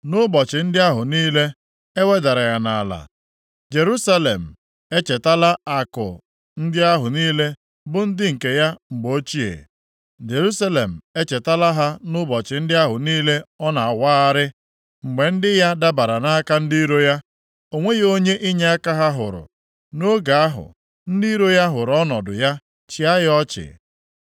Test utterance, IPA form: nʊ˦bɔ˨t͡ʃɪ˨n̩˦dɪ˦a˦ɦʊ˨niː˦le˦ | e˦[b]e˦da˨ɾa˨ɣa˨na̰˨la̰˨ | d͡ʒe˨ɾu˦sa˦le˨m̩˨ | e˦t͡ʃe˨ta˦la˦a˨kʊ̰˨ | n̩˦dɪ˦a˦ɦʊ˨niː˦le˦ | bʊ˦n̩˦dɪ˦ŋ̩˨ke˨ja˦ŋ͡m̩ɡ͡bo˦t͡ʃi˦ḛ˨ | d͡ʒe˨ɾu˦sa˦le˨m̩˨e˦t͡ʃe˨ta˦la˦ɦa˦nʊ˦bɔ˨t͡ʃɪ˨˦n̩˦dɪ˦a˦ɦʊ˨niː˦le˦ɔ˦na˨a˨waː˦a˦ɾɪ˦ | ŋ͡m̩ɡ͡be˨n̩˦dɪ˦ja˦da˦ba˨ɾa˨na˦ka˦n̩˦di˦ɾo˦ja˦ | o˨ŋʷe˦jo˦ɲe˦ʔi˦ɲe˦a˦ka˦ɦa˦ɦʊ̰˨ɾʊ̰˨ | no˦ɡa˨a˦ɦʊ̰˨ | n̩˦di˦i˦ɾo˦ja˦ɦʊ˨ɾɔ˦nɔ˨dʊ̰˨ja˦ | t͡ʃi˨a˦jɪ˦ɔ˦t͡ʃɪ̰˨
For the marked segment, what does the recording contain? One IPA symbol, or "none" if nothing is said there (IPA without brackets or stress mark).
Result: w